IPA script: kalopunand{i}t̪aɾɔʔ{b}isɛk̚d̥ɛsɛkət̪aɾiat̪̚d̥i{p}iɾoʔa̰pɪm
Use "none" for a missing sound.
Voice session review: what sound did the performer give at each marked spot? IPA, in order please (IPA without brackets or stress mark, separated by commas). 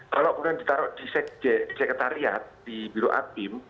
i, d, b